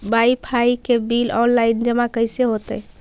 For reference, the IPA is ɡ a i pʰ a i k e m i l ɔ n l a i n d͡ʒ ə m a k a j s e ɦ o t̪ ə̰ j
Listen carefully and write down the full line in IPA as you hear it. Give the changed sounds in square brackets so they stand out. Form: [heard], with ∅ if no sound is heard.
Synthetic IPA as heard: [b] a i pʰ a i k e [b] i l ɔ n l a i n d͡ʒ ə m a k [ə] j s e ɦ o t̪ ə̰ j